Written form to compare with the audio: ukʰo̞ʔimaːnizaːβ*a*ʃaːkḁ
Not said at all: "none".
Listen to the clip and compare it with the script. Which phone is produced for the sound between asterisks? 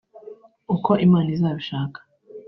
i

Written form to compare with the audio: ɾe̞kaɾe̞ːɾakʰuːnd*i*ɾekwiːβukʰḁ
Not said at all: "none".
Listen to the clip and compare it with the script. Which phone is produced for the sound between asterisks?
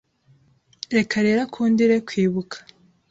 i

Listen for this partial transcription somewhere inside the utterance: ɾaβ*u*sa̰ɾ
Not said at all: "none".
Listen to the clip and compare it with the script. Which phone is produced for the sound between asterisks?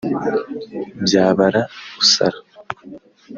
u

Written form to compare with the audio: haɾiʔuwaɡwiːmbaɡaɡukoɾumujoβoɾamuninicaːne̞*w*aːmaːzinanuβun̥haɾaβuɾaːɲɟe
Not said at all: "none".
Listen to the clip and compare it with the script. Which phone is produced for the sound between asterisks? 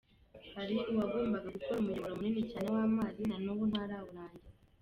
w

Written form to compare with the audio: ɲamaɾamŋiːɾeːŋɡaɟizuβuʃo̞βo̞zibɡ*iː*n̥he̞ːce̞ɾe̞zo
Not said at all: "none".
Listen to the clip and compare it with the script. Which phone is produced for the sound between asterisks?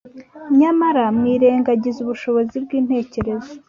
iː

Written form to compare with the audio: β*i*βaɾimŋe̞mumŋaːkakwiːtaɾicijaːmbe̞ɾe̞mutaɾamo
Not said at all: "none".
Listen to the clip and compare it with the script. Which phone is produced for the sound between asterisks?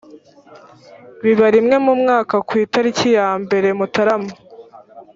i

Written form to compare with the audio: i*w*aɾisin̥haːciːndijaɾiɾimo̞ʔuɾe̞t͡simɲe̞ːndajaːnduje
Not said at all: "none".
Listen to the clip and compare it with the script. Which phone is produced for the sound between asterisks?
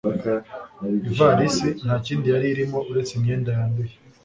v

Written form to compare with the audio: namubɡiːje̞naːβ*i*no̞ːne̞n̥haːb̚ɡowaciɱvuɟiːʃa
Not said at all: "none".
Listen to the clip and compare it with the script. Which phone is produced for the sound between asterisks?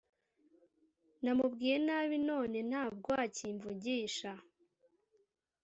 i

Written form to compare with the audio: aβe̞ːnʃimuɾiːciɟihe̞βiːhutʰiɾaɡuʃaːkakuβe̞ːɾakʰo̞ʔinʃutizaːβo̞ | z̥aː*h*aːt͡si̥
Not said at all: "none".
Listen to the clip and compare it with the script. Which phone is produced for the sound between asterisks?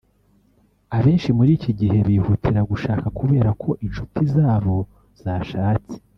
ʃ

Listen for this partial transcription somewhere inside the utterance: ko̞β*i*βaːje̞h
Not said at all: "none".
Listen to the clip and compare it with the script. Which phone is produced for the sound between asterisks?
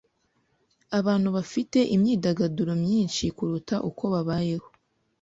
a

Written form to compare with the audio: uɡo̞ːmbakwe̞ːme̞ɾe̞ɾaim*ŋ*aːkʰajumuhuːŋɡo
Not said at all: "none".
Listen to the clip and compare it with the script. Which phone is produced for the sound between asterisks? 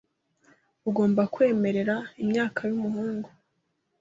ɲ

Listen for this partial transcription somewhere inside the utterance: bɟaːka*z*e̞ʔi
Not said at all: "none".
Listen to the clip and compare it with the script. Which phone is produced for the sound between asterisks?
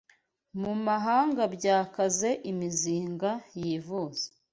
z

